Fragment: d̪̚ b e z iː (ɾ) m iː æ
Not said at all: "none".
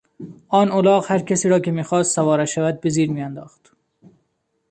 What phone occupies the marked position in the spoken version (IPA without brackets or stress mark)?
ɾ